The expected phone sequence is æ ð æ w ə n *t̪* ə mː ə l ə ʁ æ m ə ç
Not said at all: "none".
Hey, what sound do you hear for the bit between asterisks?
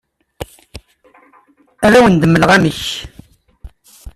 d̪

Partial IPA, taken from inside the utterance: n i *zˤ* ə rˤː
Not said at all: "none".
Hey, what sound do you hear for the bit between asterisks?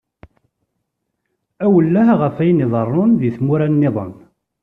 ðˤ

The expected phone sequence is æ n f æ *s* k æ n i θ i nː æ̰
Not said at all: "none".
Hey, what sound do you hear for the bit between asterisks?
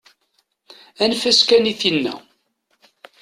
s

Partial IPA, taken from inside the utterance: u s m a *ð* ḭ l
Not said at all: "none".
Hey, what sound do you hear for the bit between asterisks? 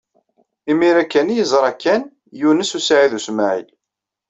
ʕ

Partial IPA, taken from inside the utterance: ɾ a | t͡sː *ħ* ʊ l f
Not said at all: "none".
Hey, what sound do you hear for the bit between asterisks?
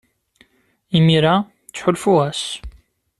ħ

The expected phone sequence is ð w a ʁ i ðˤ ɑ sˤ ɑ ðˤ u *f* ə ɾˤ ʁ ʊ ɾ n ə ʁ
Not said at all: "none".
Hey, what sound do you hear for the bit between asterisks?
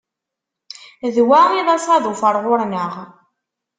f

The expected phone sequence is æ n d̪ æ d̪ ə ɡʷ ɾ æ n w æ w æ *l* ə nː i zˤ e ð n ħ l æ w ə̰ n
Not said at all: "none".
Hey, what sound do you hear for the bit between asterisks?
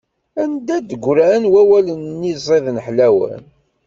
l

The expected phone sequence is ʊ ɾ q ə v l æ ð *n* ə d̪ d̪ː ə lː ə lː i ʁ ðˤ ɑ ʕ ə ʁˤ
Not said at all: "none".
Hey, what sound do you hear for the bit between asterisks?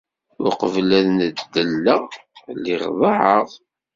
n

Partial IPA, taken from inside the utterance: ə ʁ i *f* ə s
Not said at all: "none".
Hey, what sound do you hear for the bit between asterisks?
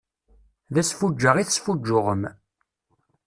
θ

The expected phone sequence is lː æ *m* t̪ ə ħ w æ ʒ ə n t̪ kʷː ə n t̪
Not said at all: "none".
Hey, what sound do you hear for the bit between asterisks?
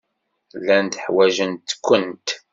n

